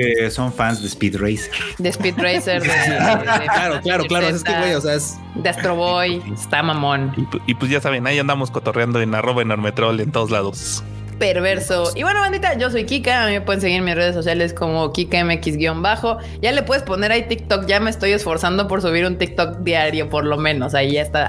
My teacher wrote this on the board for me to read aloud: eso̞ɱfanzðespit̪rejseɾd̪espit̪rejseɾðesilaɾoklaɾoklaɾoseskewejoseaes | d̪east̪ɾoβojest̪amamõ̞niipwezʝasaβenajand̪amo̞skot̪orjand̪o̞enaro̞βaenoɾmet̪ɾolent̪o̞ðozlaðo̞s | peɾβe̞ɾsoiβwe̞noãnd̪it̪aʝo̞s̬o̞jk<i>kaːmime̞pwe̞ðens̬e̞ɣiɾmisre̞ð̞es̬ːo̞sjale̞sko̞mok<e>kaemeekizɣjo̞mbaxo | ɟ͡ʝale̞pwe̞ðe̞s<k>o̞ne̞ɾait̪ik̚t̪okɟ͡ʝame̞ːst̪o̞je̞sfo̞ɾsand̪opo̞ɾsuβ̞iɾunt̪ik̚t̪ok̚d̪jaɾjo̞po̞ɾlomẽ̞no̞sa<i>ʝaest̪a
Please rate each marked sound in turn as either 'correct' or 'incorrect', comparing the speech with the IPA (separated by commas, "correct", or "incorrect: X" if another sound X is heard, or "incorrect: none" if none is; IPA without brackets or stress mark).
correct, incorrect: i, incorrect: p, correct